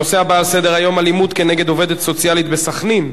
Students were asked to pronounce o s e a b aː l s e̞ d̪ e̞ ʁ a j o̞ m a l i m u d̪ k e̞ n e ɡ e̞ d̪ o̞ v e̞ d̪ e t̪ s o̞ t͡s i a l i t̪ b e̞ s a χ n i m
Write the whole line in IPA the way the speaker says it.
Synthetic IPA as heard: o s e a b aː l s e̞ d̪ e̞ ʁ a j o̞ m a l i m u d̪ k e̞ n e ɡ e̞ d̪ o̞ v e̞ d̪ e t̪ s o̞ t͡s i a l i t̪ b e̞ s a χ n i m